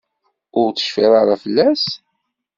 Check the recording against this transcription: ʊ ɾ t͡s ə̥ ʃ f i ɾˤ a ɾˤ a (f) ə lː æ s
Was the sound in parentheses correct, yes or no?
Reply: yes